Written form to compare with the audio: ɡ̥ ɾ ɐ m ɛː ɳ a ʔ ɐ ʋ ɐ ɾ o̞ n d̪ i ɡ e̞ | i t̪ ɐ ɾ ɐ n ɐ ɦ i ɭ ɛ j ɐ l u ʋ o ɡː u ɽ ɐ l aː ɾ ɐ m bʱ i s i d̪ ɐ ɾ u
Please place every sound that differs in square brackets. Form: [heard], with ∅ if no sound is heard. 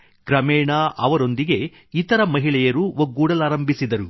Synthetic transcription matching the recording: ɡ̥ ɾ ɐ m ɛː ɳ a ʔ ɐ ʋ ɐ ɾ o̞ n d̪ i ɡ e̞ | i t̪ ɐ ɾ ɐ [m] ɐ ɦ i ɭ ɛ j ɐ [ɾ] u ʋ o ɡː [uː] ɽ ɐ l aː ɾ ɐ m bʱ i s i d̪ ɐ ɾ u